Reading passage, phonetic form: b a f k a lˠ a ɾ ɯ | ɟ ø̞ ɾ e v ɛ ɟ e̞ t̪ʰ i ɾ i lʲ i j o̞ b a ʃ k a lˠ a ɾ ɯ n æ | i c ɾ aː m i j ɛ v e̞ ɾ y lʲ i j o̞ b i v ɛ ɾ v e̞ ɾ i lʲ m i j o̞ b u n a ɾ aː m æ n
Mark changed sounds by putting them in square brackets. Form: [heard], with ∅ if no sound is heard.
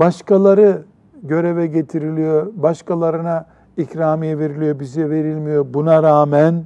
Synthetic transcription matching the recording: b a [ʃ] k a lˠ a ɾ ɯ | ɟ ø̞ ɾ e v ɛ ɟ e̞ t̪ʰ i ɾ i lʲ i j o̞ b a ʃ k a lˠ a ɾ ɯ n [a] | i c ɾ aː m i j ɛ v e̞ ɾ [i] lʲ i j o̞ b i [z] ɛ [∅] v e̞ ɾ i lʲ m i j o̞ b u n a ɾ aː m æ n